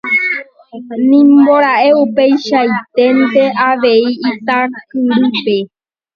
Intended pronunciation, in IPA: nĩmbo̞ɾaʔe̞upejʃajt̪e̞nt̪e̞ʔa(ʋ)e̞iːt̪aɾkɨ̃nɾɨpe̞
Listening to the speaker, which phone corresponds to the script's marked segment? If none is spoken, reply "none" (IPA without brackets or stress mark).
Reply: ʋ